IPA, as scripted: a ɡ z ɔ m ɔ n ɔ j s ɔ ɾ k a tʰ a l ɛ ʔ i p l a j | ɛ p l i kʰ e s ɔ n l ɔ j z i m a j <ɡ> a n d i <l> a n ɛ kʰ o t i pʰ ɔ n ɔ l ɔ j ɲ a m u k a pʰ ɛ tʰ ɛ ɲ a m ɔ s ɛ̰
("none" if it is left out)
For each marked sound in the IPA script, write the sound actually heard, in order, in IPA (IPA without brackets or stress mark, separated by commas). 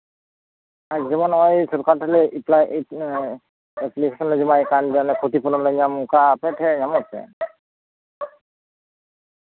k, none